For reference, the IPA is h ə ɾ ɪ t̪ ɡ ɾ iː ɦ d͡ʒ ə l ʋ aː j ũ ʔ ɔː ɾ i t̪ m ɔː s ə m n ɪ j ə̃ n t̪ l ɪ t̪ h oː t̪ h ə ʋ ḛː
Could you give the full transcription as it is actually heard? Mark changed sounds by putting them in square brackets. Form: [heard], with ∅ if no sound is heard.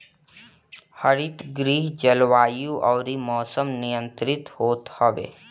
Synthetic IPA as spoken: h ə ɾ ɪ t̪ ɡ ɾ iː ɦ d͡ʒ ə l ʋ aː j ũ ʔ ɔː ɾ i [∅] m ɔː s ə m n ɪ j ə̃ n t̪ [ɾ] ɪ t̪ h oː t̪ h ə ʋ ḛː